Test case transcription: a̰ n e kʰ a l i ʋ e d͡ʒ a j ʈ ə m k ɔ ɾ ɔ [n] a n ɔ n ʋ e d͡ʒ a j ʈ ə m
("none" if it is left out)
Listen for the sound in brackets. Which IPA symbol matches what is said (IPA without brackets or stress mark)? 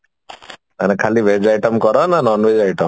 n